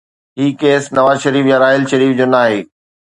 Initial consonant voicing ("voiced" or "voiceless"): voiced